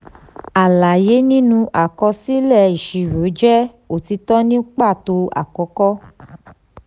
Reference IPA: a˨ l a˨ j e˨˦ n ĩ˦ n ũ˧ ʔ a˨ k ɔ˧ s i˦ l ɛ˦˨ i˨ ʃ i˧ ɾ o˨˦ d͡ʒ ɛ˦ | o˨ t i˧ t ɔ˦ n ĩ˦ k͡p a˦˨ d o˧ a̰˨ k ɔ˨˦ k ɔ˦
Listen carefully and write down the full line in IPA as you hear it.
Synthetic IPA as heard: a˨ l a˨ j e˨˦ n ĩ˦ n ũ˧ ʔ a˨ k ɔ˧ s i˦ l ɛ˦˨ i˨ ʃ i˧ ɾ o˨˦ d͡ʒ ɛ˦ | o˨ t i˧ t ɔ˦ n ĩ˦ k͡p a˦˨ t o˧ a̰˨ k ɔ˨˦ k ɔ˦

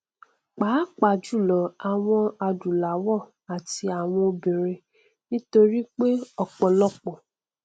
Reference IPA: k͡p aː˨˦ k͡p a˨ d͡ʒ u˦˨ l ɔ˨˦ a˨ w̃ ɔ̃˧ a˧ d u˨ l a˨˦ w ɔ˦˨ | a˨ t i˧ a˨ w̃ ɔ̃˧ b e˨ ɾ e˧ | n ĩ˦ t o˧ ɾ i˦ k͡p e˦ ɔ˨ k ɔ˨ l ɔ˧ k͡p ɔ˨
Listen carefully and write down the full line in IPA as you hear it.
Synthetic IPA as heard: k͡p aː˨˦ k͡p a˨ d͡ʒ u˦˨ l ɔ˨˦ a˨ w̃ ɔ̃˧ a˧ d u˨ l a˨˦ w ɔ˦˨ | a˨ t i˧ a˨ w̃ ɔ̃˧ b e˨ ɾ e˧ | n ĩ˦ t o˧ ɾ i˦ k͡p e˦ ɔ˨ k͡p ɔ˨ l ɔ˧ k͡p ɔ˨

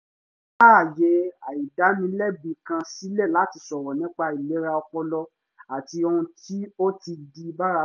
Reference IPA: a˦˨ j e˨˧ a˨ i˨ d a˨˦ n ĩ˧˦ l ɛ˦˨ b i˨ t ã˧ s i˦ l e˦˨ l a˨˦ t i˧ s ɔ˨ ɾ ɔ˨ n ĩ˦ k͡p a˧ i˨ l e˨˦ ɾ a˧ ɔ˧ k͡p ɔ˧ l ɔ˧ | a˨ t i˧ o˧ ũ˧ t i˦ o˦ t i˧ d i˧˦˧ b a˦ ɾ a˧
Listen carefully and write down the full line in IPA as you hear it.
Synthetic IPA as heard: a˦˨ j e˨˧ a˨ i˨ d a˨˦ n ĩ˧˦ l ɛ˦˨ b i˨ k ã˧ s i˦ l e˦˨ l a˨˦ t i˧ s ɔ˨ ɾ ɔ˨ n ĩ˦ k͡p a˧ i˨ l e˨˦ ɾ a˧ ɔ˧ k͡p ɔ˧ l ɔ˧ | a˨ t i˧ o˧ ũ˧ t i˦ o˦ t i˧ d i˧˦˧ b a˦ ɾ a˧

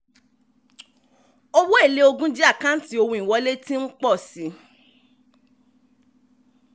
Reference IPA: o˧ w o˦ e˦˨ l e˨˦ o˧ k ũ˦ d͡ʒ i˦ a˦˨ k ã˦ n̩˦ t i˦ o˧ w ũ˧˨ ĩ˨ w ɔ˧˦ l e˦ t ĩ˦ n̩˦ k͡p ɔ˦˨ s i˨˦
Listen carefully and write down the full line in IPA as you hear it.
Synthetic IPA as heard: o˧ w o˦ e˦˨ l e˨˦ o˧ ɡ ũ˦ d͡ʒ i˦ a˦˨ k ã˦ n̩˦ t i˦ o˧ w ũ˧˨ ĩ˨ w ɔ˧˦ l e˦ t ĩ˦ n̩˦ k͡p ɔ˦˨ s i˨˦

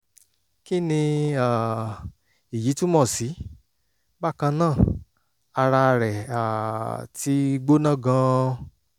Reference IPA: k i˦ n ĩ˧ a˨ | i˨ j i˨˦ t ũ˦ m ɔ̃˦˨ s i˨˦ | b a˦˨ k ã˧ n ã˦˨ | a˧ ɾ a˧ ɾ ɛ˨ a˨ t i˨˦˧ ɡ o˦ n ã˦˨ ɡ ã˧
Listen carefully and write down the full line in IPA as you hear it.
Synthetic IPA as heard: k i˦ n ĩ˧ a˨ | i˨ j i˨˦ t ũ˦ m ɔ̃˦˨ s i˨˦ | b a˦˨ k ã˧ n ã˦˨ | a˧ ɾ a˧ ɾ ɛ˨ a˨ t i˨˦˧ ɡ͡b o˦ n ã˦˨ ɡ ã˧

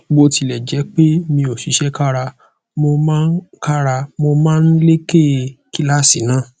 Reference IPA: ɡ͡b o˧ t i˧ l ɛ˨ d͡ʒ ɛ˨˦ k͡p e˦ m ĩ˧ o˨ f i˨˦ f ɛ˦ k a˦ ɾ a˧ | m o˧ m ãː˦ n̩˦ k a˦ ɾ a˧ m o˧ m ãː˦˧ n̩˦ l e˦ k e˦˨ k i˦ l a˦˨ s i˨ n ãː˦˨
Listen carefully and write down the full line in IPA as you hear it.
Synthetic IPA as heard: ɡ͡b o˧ t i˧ l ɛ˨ d͡ʒ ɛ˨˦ k͡p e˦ m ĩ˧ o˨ ʃ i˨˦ ʃ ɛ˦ k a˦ ɾ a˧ | m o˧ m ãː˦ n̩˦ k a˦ ɾ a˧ m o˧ m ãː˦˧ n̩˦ l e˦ k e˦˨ k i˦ l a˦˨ s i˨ n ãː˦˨

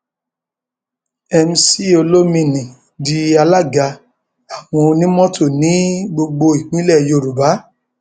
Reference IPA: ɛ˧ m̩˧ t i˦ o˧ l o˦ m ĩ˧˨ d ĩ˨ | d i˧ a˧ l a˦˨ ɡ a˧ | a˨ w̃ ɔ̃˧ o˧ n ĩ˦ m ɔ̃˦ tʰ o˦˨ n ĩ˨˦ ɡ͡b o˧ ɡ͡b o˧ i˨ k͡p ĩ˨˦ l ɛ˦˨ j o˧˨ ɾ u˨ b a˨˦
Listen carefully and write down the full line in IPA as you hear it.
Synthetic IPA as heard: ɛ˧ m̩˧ s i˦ o˧ l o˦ m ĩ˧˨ n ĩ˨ | d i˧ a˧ l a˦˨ ɡ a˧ | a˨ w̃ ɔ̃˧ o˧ n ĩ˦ m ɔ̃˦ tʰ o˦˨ n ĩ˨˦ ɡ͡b o˧ ɡ͡b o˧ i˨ k͡p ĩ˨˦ l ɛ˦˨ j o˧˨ ɾ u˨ b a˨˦

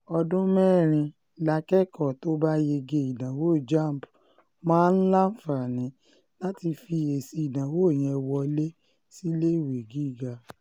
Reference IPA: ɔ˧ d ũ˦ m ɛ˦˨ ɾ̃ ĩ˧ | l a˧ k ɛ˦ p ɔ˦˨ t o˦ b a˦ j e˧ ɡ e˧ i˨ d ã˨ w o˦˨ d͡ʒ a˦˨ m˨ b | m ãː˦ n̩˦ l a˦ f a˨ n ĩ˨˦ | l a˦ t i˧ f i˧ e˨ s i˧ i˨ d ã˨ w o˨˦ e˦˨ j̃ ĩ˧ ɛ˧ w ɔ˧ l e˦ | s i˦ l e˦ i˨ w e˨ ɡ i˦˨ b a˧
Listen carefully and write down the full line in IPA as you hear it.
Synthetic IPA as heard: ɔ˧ d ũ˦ m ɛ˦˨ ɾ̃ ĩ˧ | l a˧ k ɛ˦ k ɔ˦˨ t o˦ b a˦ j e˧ ɡ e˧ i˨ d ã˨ w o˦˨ d͡ʒ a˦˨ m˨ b | m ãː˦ n̩˦ l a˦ f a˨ n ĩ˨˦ | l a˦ t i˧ f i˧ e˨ s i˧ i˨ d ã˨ w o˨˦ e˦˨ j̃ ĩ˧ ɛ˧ w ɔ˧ l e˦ | s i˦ l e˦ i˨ w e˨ ɡ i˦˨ ɡ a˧

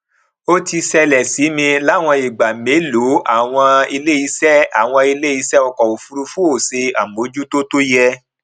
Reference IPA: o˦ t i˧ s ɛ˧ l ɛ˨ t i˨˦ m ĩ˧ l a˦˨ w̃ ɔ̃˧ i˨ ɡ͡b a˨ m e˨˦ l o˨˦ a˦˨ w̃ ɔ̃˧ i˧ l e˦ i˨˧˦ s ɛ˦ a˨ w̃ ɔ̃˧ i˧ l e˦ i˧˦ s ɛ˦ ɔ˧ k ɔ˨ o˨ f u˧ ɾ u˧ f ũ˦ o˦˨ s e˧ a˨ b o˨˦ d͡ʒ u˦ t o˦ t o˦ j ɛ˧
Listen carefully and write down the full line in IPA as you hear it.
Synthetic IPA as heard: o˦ t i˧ s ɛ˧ l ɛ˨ s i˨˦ m ĩ˧ l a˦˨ w̃ ɔ̃˧ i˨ ɡ͡b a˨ m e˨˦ l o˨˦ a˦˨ w̃ ɔ̃˧ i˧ l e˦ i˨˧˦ s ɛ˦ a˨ w̃ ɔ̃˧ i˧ l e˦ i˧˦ s ɛ˦ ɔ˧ k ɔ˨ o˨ f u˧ ɾ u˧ f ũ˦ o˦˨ s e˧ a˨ m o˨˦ d͡ʒ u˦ t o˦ t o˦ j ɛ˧

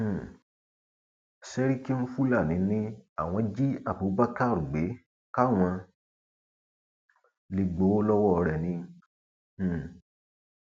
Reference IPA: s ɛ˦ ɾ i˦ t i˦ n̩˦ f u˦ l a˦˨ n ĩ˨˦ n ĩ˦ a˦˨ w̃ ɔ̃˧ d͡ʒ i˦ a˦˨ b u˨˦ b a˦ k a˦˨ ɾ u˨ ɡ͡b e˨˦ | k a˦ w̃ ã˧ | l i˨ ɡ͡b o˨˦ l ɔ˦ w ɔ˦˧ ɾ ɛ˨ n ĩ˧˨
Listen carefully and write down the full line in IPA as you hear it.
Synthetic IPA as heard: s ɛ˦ ɾ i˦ k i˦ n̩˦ f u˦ l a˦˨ n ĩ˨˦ n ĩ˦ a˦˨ w̃ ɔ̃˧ d͡ʒ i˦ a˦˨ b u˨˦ b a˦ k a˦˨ ɾ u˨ ɡ͡b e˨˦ | k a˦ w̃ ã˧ | l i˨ ɡ͡b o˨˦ l ɔ˦ w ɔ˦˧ ɾ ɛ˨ n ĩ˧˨

